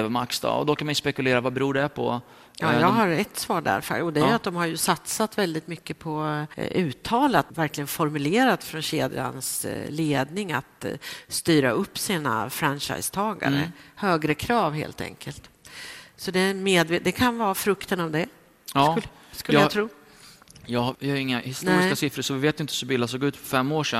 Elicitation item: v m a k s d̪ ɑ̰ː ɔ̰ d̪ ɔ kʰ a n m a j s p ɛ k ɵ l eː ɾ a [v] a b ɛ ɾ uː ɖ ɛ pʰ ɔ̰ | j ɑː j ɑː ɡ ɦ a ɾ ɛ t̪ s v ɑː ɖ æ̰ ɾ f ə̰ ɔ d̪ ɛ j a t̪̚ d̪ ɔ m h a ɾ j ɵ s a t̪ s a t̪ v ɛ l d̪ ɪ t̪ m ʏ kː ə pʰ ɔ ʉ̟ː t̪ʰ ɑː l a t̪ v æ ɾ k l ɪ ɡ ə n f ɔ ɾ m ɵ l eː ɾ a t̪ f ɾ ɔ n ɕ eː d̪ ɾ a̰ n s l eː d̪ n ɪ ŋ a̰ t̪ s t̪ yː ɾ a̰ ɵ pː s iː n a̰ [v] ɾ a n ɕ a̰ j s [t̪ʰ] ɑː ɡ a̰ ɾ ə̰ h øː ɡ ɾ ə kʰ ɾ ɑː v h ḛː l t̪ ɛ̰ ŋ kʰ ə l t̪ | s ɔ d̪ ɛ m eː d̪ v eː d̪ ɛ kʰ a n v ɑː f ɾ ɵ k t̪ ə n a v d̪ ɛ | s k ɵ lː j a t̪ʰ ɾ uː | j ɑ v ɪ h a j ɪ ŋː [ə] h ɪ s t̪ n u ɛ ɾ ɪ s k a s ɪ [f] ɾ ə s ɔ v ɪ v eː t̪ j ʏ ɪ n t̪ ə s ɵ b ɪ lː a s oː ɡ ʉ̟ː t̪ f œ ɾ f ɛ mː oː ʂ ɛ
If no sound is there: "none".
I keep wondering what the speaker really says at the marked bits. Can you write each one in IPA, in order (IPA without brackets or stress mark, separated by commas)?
v, f, t̪ʰ, a, f